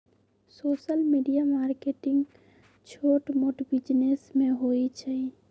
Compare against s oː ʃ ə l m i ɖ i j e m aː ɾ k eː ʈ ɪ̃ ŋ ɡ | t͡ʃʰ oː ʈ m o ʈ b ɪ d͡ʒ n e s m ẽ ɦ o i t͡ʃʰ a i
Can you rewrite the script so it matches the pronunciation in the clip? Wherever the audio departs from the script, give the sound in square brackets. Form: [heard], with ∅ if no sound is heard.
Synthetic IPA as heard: s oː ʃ ə l m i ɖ i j [a] m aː ɾ k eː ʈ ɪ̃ ŋ ɡ | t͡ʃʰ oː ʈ m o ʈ b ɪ d͡ʒ n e s m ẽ ɦ o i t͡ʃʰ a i